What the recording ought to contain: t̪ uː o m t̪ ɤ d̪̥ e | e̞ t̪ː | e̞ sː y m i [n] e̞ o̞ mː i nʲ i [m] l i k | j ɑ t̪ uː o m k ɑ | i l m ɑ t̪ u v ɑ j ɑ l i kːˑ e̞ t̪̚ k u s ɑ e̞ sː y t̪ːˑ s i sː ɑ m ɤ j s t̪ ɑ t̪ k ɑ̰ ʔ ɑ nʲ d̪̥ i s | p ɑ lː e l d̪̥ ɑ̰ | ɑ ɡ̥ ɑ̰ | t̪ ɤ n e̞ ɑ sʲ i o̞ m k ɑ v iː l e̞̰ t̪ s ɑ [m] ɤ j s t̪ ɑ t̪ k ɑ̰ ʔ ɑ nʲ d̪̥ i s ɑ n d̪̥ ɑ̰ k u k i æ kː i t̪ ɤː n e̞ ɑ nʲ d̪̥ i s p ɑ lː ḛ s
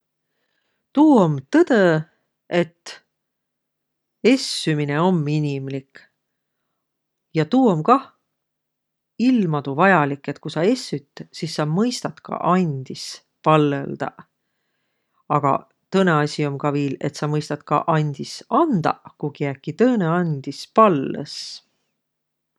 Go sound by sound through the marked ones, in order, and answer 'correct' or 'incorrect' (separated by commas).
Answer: correct, correct, correct